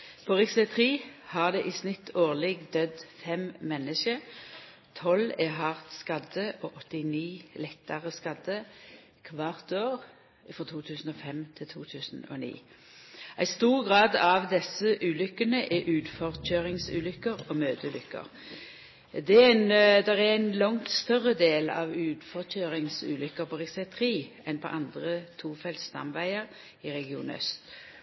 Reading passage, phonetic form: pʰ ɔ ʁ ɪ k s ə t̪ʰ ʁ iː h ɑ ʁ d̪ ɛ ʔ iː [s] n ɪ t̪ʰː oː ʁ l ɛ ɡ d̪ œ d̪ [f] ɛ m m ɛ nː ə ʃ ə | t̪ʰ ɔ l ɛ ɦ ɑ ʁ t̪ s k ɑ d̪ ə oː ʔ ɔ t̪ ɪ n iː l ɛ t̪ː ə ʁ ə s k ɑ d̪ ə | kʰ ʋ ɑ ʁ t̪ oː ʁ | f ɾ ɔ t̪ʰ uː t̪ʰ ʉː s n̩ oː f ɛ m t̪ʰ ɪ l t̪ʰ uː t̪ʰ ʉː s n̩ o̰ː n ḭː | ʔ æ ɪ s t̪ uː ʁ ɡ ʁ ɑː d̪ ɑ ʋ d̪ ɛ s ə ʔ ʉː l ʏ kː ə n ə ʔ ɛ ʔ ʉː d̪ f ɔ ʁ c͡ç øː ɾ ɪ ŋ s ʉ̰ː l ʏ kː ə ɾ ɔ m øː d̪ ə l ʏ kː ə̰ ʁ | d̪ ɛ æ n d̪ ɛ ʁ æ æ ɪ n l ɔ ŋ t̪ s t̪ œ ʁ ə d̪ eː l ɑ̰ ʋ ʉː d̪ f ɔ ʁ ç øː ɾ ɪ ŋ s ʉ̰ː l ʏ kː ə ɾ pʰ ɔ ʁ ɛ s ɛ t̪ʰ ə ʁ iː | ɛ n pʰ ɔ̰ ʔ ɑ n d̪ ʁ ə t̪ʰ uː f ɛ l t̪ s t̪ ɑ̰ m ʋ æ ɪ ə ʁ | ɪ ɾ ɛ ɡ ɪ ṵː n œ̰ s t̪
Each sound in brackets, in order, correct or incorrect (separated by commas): correct, correct